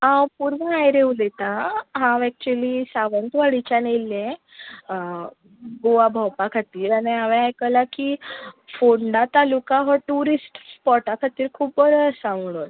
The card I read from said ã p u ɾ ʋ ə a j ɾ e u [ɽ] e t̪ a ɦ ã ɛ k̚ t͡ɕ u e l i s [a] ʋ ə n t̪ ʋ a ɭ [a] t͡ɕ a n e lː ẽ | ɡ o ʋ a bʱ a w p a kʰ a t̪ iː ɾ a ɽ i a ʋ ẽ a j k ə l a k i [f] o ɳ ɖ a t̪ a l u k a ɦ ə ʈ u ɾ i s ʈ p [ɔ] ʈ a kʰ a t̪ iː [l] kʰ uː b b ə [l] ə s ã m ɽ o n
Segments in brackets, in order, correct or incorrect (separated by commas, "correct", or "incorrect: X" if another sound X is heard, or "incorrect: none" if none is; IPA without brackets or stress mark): incorrect: l, correct, incorrect: i, correct, correct, incorrect: ɾ, incorrect: ɾ